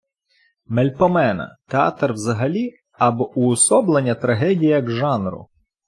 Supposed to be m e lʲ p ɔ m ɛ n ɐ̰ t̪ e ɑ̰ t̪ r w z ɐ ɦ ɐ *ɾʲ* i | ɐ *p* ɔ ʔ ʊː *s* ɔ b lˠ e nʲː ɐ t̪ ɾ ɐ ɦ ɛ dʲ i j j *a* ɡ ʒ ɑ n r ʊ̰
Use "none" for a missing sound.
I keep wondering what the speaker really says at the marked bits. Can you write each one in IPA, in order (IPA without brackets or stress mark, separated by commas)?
lʲ, b, s, ɐ